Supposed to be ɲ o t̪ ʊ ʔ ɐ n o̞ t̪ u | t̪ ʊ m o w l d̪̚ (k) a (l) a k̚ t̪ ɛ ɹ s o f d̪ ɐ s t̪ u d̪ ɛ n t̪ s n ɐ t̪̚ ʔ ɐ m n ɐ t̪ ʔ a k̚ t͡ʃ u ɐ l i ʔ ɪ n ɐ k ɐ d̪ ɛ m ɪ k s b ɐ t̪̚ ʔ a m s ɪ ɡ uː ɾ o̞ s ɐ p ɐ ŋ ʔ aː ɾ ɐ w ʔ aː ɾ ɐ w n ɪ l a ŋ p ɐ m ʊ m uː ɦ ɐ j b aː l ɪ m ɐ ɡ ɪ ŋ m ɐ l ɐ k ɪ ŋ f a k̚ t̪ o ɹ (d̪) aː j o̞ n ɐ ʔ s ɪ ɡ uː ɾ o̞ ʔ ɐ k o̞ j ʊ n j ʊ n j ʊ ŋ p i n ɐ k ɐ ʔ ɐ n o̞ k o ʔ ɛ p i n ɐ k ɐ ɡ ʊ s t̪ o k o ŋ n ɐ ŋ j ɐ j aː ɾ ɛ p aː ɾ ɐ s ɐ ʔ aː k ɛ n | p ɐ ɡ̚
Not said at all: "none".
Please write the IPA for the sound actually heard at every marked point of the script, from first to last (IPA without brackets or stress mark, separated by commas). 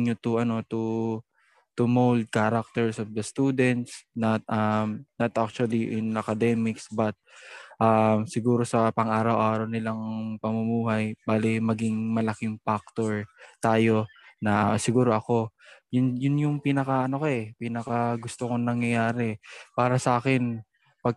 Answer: k, ɾ, t̪